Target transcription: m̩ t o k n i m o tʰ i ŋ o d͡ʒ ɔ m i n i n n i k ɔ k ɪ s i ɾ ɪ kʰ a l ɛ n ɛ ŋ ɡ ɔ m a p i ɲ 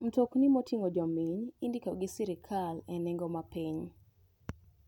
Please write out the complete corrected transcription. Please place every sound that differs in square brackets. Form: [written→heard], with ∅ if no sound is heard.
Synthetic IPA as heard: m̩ t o k n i m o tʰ i ŋ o d͡ʒ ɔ m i [n→ɲ] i n [n→d] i k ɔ [k→ɡ] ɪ s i ɾ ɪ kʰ a l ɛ n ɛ ŋ ɡ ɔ m a p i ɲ